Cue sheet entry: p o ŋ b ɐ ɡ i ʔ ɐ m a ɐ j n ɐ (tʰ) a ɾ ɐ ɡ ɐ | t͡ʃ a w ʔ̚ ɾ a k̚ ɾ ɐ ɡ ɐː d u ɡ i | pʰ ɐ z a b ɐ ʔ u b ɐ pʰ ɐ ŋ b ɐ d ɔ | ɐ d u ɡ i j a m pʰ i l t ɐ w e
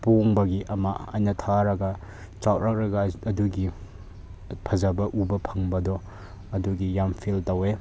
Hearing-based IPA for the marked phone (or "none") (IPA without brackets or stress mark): tʰ